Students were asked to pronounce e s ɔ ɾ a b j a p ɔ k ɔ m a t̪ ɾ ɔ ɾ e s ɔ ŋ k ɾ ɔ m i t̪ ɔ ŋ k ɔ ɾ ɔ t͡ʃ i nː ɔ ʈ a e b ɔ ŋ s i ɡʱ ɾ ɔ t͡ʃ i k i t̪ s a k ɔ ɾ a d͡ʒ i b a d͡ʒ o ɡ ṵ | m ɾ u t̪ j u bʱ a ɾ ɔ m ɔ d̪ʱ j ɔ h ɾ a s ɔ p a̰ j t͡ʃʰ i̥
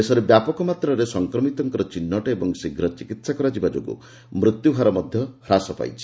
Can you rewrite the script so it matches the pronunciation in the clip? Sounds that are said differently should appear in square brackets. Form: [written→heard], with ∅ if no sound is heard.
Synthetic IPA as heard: e s ɔ ɾ [a→e] b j a p ɔ k ɔ m a t̪ ɾ ɔ ɾ e s ɔ ŋ k ɾ ɔ m i t̪ ɔ ŋ k ɔ ɾ ɔ t͡ʃ i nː ɔ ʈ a e b ɔ ŋ s i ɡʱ ɾ ɔ t͡ʃ i k i t̪ s a k ɔ ɾ a d͡ʒ i b a d͡ʒ o ɡ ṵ | m ɾ u t̪ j u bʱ a ɾ ɔ m ɔ d̪ʱ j ɔ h ɾ a s ɔ p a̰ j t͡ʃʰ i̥